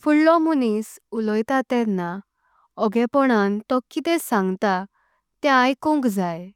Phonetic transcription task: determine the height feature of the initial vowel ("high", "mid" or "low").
high